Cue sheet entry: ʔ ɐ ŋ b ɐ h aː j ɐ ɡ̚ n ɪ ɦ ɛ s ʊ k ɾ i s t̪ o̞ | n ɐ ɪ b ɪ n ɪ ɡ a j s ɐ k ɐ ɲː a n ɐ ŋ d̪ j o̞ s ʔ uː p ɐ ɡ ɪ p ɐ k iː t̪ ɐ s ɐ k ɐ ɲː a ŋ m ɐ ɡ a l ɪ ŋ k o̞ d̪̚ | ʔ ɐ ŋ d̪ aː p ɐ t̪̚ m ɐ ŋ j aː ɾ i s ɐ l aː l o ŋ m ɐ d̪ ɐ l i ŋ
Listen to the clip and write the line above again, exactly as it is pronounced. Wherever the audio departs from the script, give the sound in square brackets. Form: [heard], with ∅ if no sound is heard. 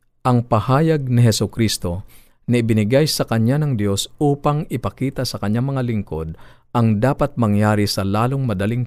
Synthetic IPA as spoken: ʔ ɐ ŋ [p] ɐ h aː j ɐ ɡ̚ n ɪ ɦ ɛ s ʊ k ɾ i s t̪ o̞ | n ɐ ɪ b ɪ n ɪ ɡ a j s ɐ k ɐ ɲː a n ɐ ŋ d̪ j o̞ s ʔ uː p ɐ [ŋ] ɪ p ɐ k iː t̪ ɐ s ɐ k ɐ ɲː a ŋ m ɐ [ŋ] a l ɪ ŋ k o̞ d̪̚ | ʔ ɐ ŋ d̪ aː p ɐ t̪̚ m ɐ ŋ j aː ɾ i s ɐ l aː l o ŋ m ɐ d̪ ɐ l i ŋ